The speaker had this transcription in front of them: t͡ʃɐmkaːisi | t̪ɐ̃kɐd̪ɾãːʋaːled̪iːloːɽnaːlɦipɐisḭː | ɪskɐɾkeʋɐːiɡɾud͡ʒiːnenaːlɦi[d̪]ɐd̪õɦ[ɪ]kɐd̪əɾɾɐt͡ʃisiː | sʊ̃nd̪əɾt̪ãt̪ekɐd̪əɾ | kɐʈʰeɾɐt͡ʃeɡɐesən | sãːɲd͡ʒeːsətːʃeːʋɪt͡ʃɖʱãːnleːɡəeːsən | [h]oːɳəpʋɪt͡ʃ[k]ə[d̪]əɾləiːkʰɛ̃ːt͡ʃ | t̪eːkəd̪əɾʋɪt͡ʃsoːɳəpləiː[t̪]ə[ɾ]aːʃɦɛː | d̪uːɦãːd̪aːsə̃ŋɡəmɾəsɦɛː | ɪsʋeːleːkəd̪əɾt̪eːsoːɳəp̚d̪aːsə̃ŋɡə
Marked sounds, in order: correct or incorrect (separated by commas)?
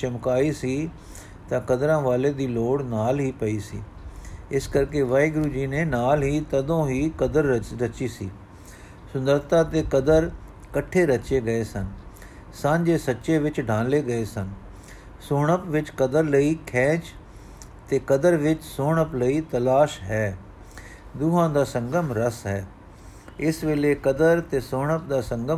incorrect, incorrect, incorrect, correct, correct, correct, incorrect